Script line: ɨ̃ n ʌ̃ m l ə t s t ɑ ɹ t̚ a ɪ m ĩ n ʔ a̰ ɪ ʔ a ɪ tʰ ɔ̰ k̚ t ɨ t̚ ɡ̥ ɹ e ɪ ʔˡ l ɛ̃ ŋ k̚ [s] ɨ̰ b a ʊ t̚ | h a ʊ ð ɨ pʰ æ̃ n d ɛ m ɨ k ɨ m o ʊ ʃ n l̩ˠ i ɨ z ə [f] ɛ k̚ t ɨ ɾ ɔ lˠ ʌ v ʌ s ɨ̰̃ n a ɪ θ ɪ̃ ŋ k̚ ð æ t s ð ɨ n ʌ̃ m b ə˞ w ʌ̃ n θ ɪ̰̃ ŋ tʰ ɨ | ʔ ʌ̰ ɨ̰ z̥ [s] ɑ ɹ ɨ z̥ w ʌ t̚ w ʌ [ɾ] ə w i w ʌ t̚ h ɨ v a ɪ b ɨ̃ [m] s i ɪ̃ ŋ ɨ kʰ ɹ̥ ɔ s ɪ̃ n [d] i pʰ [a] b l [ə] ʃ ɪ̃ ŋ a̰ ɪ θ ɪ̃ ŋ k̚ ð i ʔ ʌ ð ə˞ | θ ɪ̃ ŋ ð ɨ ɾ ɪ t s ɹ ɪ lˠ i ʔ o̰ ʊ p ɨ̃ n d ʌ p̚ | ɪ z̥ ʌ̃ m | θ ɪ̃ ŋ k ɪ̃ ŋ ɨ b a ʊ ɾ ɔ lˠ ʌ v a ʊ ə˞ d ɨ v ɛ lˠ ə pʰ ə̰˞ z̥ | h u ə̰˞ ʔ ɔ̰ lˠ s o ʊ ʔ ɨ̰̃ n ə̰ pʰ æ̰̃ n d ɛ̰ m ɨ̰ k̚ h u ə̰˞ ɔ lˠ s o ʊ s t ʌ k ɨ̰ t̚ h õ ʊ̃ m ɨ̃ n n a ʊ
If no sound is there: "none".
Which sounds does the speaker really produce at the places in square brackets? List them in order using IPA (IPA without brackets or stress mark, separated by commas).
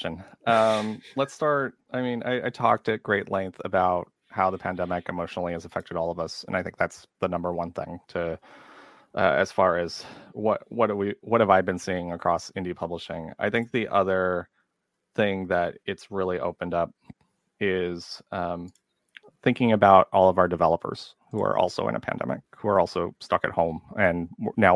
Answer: θ, f, f, ɾ, n, d, ʌ, ə